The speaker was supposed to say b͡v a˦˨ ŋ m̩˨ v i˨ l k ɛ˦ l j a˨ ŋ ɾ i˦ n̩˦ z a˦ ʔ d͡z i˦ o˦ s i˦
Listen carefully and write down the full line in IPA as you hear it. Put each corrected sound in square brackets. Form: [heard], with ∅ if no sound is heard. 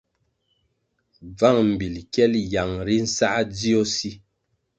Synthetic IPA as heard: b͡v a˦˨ ŋ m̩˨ [b] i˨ l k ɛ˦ l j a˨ ŋ ɾ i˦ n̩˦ [s] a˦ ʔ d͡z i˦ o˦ s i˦